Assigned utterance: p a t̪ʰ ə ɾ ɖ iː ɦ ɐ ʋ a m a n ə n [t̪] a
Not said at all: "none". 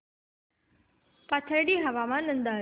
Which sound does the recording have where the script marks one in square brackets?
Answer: d̪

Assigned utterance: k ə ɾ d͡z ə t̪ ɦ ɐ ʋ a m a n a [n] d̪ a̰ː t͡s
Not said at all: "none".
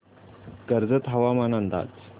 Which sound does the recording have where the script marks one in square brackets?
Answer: n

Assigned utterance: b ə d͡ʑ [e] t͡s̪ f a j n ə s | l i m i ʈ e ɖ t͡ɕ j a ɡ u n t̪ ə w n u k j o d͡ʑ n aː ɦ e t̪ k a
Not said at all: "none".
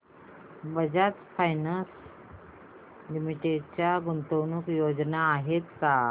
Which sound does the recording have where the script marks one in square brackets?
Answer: a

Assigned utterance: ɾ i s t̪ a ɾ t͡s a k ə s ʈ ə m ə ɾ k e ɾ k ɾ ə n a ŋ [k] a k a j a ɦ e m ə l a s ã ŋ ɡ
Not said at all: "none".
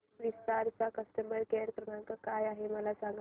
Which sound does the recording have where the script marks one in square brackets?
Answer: k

